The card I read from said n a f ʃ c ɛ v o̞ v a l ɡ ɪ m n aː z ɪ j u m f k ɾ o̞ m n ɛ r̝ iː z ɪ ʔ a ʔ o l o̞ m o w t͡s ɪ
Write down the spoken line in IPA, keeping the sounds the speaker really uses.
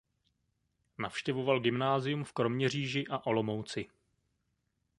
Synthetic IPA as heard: n a f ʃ c ɛ v o̞ v a l ɡ ɪ m n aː z ɪ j u m f k ɾ o̞ m ɲ ɛ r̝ iː ʒ ɪ ʔ a ʔ o l o̞ m o w t͡s ɪ